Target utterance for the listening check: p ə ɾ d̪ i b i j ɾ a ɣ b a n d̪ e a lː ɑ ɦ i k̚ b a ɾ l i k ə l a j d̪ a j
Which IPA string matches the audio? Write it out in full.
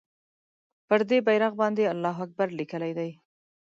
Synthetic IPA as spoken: p ə ɾ d̪ e b a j ɾ a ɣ b ɑ n d̪ e a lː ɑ ɦ a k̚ b a ɾ l i k ə l a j d̪ a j